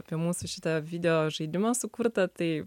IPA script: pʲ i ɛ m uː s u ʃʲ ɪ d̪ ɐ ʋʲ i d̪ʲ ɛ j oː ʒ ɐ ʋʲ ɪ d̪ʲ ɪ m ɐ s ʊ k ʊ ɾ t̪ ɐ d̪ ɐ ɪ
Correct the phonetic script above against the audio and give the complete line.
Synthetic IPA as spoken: pʲ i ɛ m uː s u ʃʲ ɪ t̪ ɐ ʋʲ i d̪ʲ ɛ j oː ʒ ɐ ɪ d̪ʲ ɪ m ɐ s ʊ k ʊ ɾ t̪ ɐ t̪ ɐ ɪ